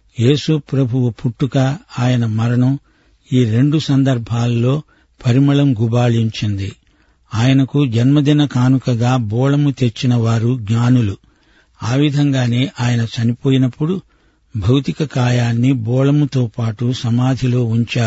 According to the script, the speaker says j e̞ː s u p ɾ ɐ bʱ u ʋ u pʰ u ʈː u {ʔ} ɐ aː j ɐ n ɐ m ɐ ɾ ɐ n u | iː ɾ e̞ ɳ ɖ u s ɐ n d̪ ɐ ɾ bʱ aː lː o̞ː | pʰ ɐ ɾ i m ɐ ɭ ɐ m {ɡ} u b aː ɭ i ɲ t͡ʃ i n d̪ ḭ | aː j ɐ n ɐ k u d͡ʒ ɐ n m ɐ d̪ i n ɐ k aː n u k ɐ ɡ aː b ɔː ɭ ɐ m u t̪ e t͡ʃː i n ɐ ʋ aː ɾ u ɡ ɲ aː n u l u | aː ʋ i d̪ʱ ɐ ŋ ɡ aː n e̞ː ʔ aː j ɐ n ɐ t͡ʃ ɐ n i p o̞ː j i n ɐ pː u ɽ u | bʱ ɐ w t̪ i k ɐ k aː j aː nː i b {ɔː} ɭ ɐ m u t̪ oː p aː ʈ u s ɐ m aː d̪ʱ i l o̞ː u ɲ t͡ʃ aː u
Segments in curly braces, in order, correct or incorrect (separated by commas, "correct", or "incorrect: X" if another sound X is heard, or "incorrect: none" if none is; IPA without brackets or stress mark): incorrect: k, correct, correct